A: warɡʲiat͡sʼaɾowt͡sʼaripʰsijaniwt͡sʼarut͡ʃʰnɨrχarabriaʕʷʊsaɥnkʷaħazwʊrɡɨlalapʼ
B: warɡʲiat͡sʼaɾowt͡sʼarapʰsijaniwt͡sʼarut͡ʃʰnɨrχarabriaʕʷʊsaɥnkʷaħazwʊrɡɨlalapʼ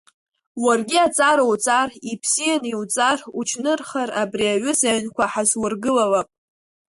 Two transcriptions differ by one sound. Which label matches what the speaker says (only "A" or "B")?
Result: A